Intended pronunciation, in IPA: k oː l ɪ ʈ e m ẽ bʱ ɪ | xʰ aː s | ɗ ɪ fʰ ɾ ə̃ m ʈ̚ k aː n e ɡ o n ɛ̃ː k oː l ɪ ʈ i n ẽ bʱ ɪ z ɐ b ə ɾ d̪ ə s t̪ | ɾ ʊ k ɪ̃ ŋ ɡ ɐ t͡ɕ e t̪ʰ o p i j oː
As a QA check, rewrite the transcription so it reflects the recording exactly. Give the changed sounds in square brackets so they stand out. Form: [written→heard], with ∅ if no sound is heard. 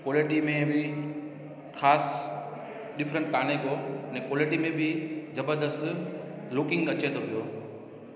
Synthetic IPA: k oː l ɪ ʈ [e→i] m ẽ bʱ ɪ | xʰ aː s | ɗ ɪ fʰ ɾ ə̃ [m→ɳ] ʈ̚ k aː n e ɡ o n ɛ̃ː k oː l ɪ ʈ i [n→m] ẽ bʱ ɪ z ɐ b ə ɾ d̪ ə s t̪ | [ɾ→l] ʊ k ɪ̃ ŋ ɡ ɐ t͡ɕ e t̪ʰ o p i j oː